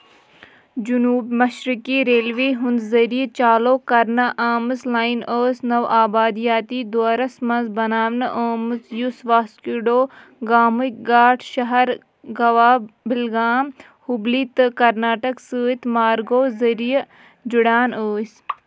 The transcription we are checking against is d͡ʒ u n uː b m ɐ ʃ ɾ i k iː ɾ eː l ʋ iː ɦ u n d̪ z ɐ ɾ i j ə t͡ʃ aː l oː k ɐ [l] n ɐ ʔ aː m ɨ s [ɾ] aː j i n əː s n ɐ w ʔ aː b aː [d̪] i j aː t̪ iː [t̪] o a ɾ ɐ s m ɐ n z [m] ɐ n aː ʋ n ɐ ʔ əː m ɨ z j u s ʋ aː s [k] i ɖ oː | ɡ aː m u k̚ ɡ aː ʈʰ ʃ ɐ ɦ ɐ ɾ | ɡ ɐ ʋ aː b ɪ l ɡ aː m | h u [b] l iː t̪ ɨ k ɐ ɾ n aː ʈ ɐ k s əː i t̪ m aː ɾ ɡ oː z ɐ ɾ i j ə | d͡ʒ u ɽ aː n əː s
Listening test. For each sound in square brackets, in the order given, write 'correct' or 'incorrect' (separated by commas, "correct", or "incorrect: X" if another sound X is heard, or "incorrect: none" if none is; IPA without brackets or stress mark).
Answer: incorrect: ɾ, incorrect: l, correct, incorrect: d̪, incorrect: b, correct, correct